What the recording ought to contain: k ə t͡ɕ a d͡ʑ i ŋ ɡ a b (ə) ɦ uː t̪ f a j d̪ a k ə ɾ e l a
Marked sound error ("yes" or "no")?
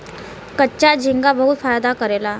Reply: no